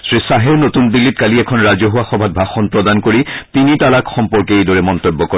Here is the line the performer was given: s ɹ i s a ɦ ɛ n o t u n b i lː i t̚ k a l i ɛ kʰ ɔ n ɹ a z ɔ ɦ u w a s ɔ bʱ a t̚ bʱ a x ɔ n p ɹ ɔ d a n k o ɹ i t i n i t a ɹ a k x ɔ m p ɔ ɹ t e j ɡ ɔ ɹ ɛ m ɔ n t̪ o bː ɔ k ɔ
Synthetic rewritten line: s ɹ i s a ɦ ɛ n o t u n b i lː i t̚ k a l i ɛ kʰ ɔ n ɹ a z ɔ ɦ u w a x ɔ bʱ a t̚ bʱ a x ɔ n p ɹ ɔ d a n k o ɹ i t i n i t a l a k x ɔ m p ɔ ɹ k e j d ɔ ɹ ɛ m ɔ n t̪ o bː ɔ k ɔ

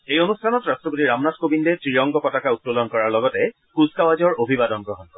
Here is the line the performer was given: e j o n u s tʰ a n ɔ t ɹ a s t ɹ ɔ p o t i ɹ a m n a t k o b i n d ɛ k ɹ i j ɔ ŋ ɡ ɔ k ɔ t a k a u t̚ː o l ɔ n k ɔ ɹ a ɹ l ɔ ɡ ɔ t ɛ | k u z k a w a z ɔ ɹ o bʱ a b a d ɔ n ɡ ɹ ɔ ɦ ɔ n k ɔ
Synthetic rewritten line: e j o n u s tʰ a n ɔ t ɹ a s t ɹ ɔ p o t i ɹ a m n a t k o b i n d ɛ t ɹ i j ɔ ŋ ɡ ɔ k ɔ t a k a u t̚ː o l ɔ n k ɔ ɹ a ɹ l ɔ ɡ ɔ t ɛ | k u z k a w a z ɔ ɹ o bʱ i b a d ɔ n ɡ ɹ ɔ ɦ ɔ n k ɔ

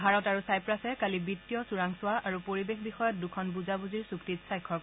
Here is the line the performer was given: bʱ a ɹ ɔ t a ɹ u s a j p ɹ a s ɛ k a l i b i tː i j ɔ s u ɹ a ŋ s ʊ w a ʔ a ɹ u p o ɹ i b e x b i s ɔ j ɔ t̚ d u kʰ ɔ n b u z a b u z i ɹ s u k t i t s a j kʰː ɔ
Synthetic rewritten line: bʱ a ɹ ɔ t a ɹ u s a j p ɹ a s ɛ k a l i b i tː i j ɔ s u ɹ a ŋ s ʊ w a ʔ a ɹ u p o ɹ i b e x b i x ɔ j ɔ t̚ d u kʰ ɔ n b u z a b u z i ɹ s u k t i t s a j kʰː ɔ

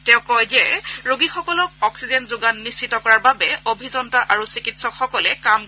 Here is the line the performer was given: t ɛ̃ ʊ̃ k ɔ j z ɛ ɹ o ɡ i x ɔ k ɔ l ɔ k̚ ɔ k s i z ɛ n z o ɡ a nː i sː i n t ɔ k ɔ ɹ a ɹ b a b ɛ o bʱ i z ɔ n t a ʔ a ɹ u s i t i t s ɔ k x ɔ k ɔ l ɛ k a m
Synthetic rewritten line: t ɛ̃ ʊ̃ k ɔ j z ɛ ɹ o ɡ i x ɔ k ɔ l ɔ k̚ ɔ k s i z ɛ n z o ɡ a nː i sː i t ɔ k ɔ ɹ a ɹ b a b ɛ o bʱ i z ɔ n t a ʔ a ɹ u s i k i t s ɔ k x ɔ k ɔ l ɛ k a m

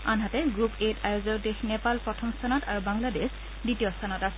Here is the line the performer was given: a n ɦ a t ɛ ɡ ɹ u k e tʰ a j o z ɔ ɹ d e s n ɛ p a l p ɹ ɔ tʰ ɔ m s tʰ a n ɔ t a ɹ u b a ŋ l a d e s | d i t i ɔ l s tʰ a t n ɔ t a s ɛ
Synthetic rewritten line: a n ɦ a t ɛ ɡ ɹ u p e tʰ a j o z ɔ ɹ d e x n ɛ p a l p ɹ ɔ tʰ ɔ m s tʰ a n ɔ t a ɹ u b a ŋ l a d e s | d i t i ɔ s tʰ a n ɔ t a s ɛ

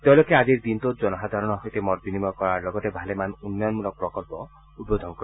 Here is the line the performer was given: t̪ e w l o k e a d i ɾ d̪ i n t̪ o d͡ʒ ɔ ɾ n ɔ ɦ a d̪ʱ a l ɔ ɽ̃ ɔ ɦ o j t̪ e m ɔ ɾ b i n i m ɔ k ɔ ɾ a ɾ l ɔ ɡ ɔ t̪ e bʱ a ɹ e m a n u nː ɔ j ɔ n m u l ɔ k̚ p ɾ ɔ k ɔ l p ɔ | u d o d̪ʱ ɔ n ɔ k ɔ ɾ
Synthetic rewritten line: t̪ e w l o k e a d i ɾ d̪ i n t̪ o d͡ʒ ɔ n ɔ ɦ a d̪ʱ a ɾ ɔ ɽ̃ ɔ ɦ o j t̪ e m ɔ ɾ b i n i m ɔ k ɔ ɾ a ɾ l ɔ ɡ ɔ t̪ e bʱ a l e m a n u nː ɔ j ɔ n m u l ɔ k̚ p ɾ ɔ k ɔ l p ɔ | u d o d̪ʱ ɔ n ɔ k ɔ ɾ

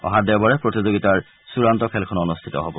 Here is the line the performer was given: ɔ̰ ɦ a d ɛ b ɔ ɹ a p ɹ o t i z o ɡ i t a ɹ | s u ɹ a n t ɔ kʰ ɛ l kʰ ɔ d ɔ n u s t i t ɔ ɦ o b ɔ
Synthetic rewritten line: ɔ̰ ɦ a d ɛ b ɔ ɹ ɛ p ɹ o t i z o ɡ i t a ɹ | s u ɹ a n t ɔ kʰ ɛ l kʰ ɔ n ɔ n u s tʰ i t ɔ ɦ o b ɔ

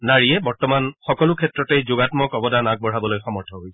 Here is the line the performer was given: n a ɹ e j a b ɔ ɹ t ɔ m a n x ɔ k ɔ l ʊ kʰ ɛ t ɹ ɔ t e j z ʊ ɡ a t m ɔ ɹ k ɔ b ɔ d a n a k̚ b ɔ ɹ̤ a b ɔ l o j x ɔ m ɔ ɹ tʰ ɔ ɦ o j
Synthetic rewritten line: n a ɹ i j ɛ b ɔ ɹ t ɔ m a n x ɔ k ɔ l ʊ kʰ ɛ t ɹ ɔ t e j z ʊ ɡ a t m ɔ k ɔ b ɔ d a n a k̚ b ɔ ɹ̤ a b ɔ l o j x ɔ m ɔ ɹ tʰ ɔ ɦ o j

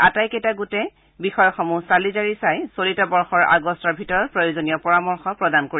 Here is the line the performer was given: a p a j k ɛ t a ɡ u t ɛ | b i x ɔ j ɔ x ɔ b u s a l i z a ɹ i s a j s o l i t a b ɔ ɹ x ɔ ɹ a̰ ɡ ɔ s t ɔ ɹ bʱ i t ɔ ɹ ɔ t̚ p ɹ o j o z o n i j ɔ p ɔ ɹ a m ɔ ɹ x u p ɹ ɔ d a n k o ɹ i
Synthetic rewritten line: a t a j k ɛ t a ɡ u t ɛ | b i x ɔ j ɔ x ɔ m u s a l i z a ɹ i s a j s o l i t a b ɔ ɹ x ɔ ɹ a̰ ɡ ɔ s t ɔ ɹ bʱ i t ɔ ɹ ɔ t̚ p ɹ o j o z o n i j ɔ p ɔ ɹ a m ɔ ɹ x ɔ p ɹ ɔ d a n k o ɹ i

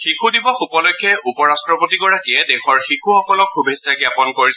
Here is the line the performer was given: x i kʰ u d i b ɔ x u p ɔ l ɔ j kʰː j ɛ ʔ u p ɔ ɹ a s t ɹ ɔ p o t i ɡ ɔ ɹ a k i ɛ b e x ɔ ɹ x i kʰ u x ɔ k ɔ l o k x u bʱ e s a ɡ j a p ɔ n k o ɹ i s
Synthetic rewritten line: x i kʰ u d i b ɔ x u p ɔ l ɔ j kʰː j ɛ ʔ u p ɔ ɹ a s t ɹ ɔ p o t i ɡ ɔ ɹ a k i ɛ d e x ɔ ɹ x i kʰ u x ɔ k ɔ l ɔ k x u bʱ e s a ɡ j a p ɔ n k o ɹ i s

